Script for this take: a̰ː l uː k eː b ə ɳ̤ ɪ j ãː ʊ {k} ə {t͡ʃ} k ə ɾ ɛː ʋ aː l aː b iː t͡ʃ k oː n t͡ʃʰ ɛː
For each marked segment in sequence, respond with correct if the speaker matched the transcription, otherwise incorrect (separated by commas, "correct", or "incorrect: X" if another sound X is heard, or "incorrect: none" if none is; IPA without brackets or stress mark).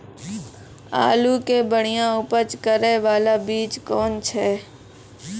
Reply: incorrect: p, correct